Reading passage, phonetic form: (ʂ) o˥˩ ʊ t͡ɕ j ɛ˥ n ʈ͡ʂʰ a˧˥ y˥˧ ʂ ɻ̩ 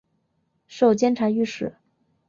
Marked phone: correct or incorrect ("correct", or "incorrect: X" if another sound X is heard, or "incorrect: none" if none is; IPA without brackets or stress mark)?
correct